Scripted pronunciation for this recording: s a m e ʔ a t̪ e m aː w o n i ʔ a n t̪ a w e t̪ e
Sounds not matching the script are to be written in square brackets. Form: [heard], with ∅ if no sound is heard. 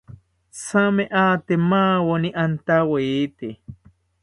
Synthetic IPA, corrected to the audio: s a m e ʔ a t̪ e m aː w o n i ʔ a n t̪ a w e t̪ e